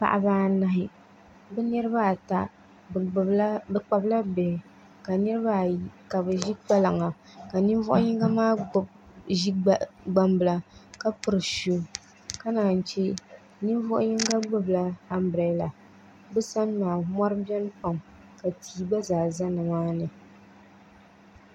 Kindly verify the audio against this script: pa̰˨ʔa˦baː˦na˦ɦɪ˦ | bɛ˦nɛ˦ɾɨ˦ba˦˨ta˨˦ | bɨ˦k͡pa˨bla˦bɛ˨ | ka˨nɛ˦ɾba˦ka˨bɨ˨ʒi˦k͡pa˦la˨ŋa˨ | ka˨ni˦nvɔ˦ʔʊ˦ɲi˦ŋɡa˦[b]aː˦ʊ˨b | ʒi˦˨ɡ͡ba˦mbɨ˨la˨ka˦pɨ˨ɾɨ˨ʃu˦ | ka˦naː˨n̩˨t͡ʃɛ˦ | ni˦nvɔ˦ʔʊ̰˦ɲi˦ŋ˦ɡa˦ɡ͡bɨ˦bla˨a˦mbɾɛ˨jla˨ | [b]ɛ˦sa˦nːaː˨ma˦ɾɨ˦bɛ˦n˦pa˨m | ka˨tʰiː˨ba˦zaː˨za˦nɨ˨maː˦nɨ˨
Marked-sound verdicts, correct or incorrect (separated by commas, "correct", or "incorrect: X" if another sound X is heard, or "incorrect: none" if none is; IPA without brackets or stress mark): incorrect: m, correct